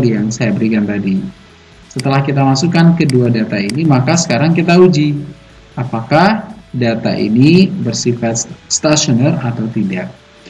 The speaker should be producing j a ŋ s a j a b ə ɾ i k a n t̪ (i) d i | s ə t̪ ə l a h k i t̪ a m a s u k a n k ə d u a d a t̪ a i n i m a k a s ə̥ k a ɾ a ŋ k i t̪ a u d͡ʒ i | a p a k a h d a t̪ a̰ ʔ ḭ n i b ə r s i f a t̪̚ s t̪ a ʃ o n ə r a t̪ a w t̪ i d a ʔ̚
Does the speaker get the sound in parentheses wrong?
yes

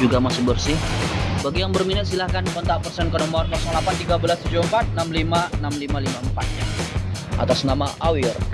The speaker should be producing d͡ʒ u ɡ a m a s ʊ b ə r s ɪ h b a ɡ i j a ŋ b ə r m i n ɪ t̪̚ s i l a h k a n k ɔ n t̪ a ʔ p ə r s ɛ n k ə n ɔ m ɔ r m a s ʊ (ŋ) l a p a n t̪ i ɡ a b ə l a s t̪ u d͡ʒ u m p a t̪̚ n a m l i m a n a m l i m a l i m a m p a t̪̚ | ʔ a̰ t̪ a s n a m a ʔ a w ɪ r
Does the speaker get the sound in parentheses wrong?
no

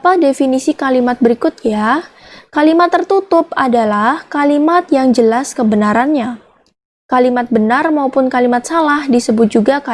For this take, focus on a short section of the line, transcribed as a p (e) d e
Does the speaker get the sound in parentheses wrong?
yes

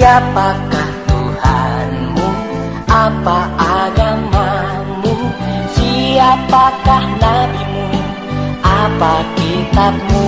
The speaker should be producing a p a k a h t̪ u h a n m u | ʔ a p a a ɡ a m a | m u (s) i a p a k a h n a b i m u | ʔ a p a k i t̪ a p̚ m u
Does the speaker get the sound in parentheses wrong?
no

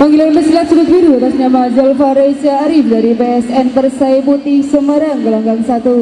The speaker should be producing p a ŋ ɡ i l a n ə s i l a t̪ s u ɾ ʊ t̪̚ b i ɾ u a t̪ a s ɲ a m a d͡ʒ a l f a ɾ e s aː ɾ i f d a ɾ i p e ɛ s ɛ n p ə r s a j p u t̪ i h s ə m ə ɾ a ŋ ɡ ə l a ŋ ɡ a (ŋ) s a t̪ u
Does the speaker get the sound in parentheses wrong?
no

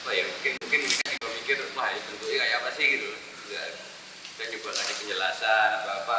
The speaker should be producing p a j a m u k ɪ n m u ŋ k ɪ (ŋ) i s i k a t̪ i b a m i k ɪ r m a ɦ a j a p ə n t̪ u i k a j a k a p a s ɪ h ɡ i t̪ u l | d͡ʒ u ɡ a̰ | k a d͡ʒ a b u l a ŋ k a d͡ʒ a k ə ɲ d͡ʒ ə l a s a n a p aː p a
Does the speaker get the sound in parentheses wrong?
yes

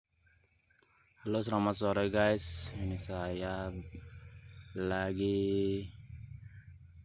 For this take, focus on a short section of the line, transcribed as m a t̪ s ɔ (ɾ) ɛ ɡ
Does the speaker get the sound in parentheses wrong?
no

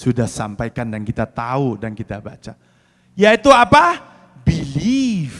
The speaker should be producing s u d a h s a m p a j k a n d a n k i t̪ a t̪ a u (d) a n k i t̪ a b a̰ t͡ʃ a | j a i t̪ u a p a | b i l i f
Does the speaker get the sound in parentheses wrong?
no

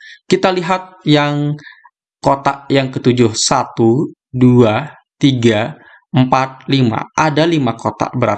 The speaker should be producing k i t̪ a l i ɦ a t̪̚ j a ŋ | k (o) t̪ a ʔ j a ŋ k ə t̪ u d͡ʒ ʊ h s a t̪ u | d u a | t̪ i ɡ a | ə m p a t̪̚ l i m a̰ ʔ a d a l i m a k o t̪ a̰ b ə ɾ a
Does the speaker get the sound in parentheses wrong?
no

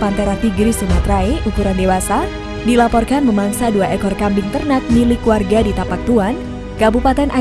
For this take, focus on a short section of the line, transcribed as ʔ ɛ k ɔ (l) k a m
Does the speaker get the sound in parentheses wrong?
yes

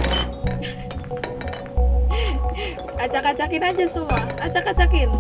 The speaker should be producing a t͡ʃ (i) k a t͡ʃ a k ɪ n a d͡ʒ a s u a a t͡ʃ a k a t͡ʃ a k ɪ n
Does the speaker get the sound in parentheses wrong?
yes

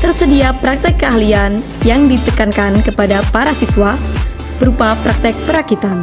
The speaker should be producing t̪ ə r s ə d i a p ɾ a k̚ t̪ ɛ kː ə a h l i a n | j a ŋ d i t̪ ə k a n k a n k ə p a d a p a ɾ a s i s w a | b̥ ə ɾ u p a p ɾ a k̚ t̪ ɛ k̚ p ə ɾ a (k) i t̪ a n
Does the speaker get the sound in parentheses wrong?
no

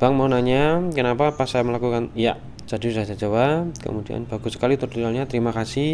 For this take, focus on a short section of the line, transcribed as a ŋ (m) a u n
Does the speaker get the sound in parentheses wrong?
no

